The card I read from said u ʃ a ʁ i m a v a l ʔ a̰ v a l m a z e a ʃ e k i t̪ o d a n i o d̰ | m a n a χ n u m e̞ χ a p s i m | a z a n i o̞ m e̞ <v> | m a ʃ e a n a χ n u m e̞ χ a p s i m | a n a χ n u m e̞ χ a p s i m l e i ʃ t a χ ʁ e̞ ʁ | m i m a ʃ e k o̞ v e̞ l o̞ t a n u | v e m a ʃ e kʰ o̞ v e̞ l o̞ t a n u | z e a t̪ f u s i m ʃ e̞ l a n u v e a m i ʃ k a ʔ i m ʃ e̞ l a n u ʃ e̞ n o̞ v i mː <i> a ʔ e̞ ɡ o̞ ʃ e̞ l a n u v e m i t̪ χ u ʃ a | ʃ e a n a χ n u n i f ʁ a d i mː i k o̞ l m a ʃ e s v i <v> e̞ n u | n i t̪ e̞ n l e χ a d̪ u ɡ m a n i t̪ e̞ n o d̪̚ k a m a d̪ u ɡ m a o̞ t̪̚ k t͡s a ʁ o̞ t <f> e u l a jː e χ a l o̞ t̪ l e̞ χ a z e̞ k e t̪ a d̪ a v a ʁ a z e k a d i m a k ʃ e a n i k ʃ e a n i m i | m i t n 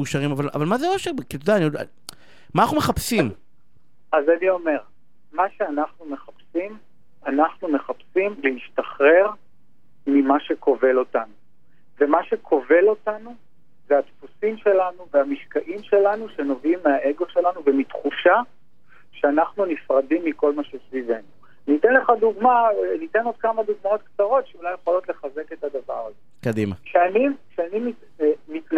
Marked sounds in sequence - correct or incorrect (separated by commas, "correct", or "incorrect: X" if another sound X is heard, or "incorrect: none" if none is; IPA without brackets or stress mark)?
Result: incorrect: ʁ, incorrect: e, correct, incorrect: ʃ